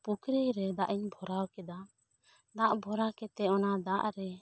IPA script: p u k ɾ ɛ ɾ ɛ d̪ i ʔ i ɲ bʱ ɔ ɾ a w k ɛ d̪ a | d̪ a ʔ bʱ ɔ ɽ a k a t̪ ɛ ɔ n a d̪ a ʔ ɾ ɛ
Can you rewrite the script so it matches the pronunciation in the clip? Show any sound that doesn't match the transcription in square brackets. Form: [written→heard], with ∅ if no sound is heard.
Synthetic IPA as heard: p u k ɾ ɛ ɾ ɛ d̪ [i→a] ʔ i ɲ bʱ ɔ ɾ a w k ɛ d̪ a | d̪ a ʔ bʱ ɔ [ɽ→ɾ] a k [a→ɛ] t̪ ɛ ɔ n a d̪ a ʔ ɾ ɛ